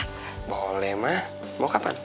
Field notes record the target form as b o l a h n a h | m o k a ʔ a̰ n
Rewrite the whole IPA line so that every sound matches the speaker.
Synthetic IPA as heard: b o l ɛ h m a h | m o k a p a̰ n